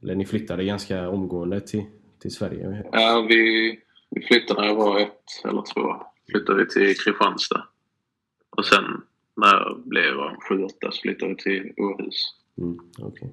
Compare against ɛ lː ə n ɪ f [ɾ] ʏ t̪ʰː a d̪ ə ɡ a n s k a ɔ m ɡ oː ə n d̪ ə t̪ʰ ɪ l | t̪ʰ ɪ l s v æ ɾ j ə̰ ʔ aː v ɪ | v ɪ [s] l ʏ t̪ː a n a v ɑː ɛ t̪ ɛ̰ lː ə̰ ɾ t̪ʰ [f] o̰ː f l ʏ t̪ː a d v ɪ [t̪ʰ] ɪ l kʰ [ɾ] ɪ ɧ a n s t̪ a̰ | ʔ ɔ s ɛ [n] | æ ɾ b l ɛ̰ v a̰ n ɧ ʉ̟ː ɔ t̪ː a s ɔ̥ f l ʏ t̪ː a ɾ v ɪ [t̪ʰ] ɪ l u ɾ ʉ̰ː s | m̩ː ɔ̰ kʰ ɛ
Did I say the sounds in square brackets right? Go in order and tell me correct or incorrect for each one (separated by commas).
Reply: incorrect, incorrect, incorrect, correct, correct, incorrect, correct